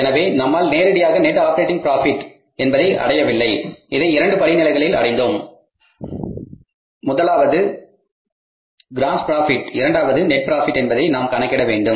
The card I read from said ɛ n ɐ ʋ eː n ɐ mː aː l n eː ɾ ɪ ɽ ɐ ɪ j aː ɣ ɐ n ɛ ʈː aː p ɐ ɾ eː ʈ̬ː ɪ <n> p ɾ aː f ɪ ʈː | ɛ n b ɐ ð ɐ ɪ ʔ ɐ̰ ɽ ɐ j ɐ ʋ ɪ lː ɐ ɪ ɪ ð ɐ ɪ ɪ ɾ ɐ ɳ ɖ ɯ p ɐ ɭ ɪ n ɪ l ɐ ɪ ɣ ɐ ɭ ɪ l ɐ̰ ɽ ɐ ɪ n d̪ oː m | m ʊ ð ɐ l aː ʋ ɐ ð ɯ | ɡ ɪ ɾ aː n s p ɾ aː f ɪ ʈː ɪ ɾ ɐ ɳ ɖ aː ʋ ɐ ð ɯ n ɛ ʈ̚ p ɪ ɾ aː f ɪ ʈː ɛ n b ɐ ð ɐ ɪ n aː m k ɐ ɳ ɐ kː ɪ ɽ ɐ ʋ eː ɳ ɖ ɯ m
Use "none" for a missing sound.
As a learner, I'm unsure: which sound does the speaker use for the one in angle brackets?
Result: ŋ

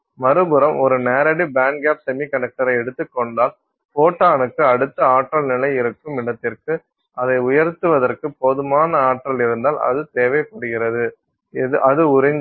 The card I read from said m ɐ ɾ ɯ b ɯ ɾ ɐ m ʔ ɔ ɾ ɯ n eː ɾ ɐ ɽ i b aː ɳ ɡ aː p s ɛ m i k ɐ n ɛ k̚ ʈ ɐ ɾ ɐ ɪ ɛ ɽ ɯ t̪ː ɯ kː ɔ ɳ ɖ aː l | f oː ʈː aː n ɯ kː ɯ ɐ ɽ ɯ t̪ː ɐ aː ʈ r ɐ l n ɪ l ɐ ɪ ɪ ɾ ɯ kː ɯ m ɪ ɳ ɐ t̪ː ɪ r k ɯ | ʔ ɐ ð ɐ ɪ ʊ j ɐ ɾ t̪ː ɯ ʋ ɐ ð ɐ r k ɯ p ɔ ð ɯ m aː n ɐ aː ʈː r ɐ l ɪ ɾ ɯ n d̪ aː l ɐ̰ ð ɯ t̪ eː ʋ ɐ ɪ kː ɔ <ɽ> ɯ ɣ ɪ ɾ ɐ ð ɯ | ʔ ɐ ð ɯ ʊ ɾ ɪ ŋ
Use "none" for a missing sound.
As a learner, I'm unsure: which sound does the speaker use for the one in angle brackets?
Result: ɽ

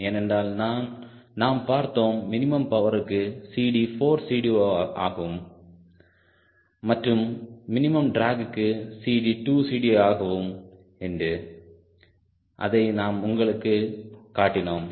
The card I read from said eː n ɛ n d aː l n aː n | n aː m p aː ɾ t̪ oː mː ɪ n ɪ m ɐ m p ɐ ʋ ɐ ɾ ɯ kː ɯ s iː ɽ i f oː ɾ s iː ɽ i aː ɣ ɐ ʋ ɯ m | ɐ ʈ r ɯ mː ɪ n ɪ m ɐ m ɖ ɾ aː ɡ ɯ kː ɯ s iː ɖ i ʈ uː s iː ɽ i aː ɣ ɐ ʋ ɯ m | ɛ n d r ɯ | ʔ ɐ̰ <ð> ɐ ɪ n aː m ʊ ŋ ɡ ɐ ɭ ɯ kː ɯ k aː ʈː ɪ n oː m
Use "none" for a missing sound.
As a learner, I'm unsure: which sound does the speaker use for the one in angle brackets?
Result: ð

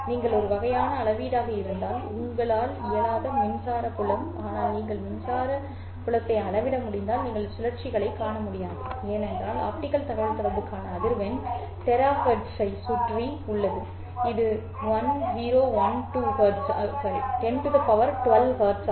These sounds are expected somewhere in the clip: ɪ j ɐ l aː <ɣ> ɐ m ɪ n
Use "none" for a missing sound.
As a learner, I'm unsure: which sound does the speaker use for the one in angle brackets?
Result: ð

